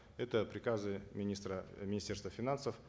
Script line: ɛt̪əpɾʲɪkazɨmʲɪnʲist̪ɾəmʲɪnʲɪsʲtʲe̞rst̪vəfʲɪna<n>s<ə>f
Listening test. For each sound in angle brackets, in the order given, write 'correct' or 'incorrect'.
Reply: correct, correct

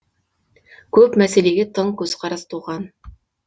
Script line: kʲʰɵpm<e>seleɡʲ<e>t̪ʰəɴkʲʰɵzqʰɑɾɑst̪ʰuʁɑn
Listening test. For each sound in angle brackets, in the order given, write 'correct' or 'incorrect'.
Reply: incorrect, correct

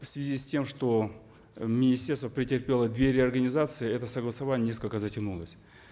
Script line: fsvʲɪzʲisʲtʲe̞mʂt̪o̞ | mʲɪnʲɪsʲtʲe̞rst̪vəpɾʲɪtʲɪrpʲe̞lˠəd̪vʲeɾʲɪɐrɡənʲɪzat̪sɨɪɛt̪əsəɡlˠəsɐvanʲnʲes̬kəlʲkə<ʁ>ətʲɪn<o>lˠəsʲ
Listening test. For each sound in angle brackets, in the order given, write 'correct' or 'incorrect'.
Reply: incorrect, incorrect

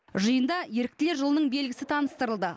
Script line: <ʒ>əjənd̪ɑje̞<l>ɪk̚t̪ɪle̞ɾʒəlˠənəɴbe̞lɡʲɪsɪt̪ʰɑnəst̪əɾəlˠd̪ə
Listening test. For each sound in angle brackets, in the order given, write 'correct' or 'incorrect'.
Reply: correct, incorrect

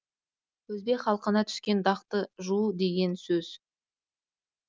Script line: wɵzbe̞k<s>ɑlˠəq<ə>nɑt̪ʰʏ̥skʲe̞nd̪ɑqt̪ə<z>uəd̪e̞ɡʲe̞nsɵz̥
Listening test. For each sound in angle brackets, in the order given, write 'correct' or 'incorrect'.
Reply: incorrect, correct, incorrect

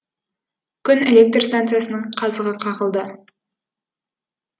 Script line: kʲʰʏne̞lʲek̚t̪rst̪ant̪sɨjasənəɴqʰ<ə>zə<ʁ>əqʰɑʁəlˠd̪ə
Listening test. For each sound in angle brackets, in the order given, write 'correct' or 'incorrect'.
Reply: incorrect, correct

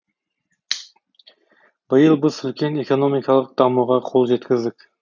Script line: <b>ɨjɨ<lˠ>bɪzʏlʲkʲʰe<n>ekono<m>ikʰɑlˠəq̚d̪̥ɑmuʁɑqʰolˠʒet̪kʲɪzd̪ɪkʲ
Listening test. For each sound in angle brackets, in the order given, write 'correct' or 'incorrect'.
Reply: correct, correct, correct, correct

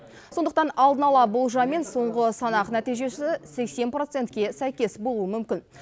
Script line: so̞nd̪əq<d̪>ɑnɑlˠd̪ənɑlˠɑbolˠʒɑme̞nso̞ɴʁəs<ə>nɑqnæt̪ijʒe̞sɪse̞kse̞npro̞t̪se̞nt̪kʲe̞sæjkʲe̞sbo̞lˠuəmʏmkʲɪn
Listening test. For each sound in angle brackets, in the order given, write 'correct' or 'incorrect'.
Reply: incorrect, incorrect

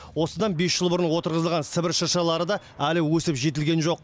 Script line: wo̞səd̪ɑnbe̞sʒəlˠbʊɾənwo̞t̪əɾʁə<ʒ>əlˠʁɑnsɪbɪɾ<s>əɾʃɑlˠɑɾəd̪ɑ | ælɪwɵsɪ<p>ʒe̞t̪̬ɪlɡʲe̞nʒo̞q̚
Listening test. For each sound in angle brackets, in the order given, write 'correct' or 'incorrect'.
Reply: incorrect, incorrect, correct

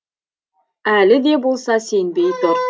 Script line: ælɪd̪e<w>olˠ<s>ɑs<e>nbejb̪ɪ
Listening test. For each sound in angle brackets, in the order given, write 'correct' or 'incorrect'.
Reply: incorrect, correct, correct

